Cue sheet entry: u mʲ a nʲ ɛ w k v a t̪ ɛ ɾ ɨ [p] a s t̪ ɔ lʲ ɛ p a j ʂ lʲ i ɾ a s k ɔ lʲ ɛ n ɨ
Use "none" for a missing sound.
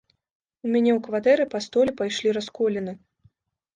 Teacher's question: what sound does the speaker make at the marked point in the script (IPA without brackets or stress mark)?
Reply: p